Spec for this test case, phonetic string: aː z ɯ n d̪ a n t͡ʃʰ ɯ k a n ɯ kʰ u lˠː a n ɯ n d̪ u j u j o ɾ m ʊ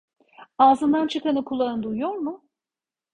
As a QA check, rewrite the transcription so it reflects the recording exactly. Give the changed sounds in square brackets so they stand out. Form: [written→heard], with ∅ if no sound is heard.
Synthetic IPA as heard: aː z ɯ n d̪ a n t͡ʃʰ ɯ k a n ɯ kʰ u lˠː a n ɯ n d̪ u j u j o ɾ m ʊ